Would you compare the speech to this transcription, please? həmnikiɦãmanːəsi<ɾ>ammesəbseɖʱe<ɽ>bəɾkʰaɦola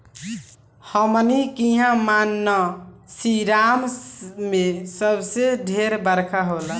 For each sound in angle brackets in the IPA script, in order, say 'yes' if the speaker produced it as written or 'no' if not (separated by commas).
yes, no